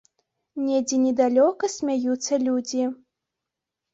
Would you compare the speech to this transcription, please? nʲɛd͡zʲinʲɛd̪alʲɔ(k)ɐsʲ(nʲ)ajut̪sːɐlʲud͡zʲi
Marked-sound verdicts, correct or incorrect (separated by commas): correct, incorrect